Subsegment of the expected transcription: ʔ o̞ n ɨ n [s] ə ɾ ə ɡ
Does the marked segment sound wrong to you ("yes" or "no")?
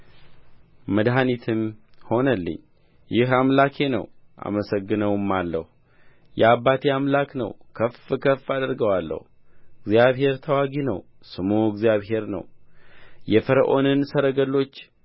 no